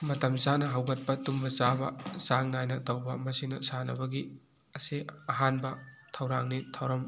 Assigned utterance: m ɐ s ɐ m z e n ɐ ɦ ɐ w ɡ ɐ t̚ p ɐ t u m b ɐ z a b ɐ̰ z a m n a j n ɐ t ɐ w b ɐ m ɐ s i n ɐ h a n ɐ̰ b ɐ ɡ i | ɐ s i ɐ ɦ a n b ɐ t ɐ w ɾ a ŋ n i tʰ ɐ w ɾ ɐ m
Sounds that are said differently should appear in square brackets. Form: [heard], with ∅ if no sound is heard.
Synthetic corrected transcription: m ɐ [t] ɐ m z [a] n ɐ ɦ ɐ w ɡ ɐ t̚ p ɐ t u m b ɐ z a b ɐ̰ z a [ŋ] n a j n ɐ t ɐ w b ɐ m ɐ s i n ɐ [s] a n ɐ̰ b ɐ ɡ i | ɐ s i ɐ ɦ a n b ɐ [tʰ] ɐ w ɾ a ŋ n i tʰ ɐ w ɾ ɐ m